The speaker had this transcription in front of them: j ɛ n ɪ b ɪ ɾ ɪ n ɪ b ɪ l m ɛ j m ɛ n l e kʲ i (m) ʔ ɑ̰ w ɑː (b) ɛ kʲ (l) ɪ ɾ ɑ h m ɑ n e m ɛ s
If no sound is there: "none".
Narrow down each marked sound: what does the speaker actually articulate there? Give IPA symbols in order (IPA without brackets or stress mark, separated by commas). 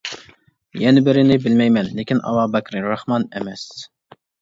n, b, ɾ